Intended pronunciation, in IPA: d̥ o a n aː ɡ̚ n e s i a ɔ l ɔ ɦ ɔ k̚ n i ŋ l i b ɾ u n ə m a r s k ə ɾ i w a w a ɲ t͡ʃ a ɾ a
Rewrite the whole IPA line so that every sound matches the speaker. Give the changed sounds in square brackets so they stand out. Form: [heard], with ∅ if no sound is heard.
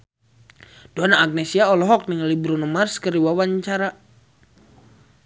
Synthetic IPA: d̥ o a n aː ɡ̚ n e s i a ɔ l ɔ ɦ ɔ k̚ n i ŋ l i b ɾ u n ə m a r s k ə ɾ i w a w a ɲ t͡ʃ a ɾ a